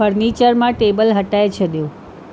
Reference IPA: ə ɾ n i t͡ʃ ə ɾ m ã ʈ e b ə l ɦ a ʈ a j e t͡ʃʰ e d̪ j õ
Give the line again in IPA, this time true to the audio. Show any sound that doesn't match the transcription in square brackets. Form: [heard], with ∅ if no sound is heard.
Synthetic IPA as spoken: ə ɾ n i t͡ʃ ə ɾ m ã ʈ e b ə l ɦ [ə] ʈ a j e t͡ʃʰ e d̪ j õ